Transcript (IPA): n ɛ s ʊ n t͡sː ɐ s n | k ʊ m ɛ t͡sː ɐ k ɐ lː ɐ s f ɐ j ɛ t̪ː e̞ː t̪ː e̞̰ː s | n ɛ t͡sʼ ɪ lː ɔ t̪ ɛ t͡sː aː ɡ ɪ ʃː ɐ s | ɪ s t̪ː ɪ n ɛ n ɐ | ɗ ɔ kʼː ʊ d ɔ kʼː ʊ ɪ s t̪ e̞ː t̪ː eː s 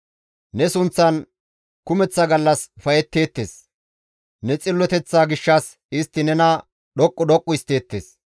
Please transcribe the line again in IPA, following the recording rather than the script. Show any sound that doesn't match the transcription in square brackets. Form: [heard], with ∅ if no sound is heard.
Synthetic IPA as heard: n ɛ s ʊ n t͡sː ɐ [∅] n | k ʊ m ɛ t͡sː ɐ [ɡ] ɐ lː ɐ s f ɐ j ɛ t̪ː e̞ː t̪ː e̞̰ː s | n ɛ t͡sʼ ɪ lː ɔ t̪ ɛ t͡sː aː ɡ ɪ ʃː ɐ s | ɪ s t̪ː ɪ n ɛ n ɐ | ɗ ɔ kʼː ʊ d ɔ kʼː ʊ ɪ s t̪ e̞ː t̪ː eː s